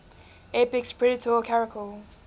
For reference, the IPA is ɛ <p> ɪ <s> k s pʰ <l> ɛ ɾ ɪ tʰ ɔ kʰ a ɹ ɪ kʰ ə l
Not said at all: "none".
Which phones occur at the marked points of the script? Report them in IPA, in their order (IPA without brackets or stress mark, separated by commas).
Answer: p, none, ɹ